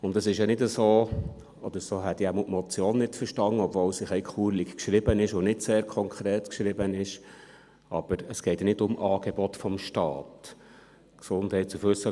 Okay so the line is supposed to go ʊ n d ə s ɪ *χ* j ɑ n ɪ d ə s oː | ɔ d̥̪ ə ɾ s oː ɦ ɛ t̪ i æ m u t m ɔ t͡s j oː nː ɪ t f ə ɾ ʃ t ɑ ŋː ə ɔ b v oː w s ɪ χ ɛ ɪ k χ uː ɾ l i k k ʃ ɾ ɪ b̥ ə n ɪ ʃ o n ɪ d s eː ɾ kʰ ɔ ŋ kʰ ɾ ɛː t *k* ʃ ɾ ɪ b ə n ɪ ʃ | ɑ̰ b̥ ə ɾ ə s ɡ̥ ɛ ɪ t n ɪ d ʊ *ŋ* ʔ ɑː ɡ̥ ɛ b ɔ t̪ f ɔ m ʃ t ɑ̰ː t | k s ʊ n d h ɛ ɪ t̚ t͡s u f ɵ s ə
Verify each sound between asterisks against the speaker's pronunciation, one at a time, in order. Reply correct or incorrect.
incorrect, correct, incorrect

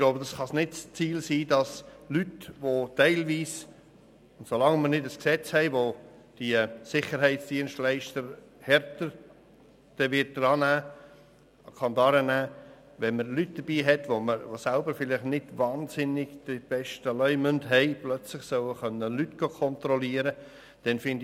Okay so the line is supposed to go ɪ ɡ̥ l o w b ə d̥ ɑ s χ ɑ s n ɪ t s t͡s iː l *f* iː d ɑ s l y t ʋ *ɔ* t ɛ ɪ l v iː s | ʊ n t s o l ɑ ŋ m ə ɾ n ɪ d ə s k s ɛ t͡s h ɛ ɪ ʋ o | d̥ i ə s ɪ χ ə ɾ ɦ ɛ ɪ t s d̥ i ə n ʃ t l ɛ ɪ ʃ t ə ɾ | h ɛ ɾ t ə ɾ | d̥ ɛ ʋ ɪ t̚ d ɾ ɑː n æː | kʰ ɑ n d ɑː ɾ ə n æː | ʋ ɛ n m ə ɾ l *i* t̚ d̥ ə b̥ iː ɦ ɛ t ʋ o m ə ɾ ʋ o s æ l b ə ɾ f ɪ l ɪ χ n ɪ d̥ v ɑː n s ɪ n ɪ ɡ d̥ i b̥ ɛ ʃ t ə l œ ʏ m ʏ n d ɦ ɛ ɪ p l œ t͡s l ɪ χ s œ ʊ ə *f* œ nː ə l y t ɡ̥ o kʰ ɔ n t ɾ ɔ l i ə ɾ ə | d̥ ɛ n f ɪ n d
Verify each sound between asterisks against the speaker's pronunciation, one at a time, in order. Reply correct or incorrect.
incorrect, incorrect, incorrect, incorrect

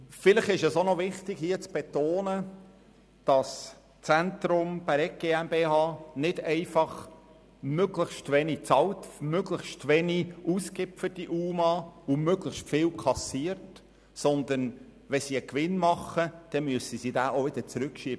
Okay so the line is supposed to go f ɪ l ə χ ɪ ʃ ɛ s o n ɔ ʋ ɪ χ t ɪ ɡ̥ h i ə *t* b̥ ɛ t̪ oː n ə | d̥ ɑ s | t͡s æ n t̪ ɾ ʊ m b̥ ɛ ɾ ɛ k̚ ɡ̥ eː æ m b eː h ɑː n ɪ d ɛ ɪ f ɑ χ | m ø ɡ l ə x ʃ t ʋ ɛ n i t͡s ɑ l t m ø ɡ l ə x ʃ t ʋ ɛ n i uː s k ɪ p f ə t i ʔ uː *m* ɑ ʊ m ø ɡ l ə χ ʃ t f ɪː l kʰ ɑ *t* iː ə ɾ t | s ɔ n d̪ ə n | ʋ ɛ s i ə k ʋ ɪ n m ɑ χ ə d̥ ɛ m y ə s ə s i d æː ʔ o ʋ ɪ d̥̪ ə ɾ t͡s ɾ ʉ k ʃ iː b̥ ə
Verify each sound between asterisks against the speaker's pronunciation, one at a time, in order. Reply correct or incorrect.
incorrect, correct, incorrect

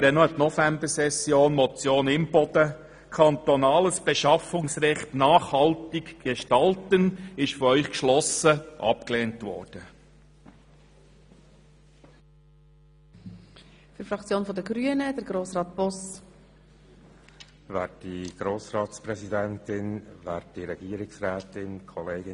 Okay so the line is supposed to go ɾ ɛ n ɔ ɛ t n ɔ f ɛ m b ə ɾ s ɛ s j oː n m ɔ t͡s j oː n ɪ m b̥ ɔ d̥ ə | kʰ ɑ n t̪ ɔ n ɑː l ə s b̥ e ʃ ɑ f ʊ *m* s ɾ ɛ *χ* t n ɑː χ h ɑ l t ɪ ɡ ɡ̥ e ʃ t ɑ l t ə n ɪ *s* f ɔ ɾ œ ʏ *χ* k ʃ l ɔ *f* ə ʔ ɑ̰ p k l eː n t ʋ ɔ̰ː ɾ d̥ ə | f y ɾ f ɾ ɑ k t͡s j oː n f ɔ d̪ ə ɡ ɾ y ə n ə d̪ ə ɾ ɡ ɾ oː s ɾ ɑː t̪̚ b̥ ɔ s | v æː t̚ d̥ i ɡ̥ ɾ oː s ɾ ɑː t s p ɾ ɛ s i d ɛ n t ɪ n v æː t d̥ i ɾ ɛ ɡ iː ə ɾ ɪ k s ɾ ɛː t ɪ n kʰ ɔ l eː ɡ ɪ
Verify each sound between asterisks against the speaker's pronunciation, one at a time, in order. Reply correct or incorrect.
incorrect, correct, incorrect, correct, incorrect

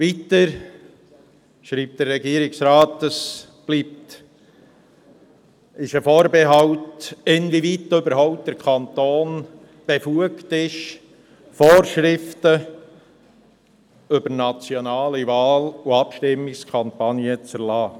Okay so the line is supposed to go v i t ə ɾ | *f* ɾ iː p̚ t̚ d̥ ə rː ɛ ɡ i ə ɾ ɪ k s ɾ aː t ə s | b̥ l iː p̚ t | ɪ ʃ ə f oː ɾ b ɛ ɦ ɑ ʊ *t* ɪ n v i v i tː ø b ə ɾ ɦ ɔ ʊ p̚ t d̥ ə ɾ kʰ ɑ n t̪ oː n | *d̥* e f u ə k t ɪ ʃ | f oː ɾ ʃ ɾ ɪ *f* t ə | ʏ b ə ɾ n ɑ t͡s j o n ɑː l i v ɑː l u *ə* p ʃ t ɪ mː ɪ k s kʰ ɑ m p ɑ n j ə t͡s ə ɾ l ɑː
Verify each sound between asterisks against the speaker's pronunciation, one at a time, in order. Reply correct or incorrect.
incorrect, correct, incorrect, correct, incorrect

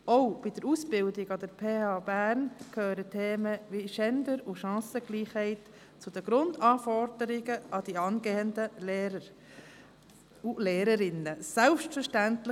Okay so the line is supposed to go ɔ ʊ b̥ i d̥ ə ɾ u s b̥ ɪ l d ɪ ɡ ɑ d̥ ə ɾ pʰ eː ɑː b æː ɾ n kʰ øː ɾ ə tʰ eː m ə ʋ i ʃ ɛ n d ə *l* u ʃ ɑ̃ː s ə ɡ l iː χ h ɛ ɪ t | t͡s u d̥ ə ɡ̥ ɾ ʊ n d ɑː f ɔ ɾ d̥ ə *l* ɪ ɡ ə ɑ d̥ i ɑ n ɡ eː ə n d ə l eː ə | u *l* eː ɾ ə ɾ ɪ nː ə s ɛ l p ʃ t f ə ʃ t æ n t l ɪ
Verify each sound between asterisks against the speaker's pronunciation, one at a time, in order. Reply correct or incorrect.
incorrect, incorrect, correct

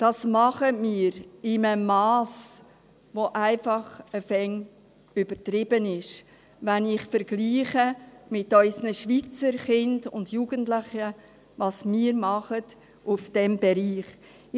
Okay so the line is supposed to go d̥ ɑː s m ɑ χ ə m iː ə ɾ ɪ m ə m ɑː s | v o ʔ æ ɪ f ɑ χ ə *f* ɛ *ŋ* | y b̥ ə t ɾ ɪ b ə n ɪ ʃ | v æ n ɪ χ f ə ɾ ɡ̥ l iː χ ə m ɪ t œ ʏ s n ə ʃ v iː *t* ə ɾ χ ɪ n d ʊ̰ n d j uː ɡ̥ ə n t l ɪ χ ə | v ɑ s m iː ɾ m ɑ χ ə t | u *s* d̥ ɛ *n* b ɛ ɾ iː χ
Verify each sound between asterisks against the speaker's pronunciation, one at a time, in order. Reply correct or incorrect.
correct, correct, incorrect, incorrect, incorrect

